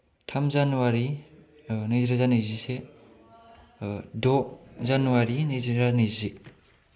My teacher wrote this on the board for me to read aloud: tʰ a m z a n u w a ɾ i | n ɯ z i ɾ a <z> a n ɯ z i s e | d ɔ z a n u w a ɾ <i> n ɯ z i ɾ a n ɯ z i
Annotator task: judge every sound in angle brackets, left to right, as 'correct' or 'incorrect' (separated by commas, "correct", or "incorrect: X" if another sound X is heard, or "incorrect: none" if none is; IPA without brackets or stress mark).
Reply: correct, correct